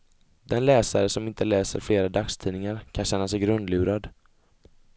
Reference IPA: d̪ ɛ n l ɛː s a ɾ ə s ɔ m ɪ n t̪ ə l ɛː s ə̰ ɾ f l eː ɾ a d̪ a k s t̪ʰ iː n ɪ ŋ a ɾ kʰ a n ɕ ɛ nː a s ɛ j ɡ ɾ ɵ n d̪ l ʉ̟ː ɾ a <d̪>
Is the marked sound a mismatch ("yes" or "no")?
no